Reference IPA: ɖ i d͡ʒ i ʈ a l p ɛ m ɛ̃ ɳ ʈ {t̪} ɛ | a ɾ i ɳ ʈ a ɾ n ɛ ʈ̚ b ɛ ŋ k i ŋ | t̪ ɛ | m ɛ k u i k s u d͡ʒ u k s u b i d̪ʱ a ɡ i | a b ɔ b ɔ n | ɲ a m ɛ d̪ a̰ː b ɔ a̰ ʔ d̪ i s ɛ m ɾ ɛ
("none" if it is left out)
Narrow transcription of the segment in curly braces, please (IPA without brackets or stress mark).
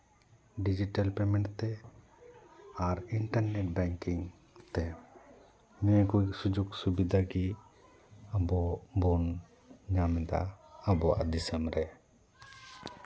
t̪